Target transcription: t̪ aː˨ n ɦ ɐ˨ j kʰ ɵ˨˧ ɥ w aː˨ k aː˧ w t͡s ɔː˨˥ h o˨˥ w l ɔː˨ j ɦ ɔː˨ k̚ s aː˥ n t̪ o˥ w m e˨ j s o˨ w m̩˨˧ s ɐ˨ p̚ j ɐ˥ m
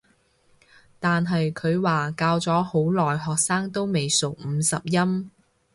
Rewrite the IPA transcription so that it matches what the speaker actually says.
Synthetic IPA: t̪ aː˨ n ɦ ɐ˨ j kʰ ɵ˨˧ ɥ w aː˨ k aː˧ w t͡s ɔː˨˥ h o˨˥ w l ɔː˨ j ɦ ɔː˨ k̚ s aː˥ ŋ t̪ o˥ w m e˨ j s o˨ w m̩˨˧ s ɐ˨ p̚ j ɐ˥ m